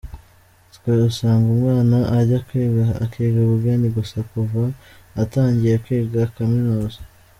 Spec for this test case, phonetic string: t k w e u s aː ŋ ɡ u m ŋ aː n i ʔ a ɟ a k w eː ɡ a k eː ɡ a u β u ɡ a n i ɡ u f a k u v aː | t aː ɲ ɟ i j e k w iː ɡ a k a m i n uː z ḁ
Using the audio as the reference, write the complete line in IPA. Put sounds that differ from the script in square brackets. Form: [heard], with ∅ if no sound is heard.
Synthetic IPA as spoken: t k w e u s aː ŋ ɡ u m ŋ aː n [a] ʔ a ɟ a k w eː ɡ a k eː ɡ a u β u ɡ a n i ɡ u [s] a k u v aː | t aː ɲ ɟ i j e k w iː ɡ a k a m i n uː z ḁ